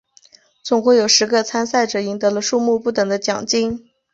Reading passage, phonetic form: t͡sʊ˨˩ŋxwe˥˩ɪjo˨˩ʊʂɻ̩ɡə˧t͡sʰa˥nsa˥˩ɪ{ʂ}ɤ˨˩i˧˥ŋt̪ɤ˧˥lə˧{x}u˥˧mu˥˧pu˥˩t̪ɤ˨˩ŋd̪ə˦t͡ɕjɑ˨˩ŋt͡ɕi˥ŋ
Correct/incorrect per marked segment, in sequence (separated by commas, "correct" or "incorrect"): incorrect, incorrect